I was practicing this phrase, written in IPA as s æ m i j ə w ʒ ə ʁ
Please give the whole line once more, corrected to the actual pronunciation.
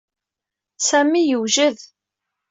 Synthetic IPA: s æ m i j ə w ʒ ə ð